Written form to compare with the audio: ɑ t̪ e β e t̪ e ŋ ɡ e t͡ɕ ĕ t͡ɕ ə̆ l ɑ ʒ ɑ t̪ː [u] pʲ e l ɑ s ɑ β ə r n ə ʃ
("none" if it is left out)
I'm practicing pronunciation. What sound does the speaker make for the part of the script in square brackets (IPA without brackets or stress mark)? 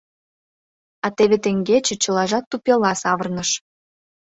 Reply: u